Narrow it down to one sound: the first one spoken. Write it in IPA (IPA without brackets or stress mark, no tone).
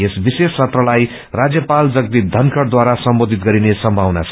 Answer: e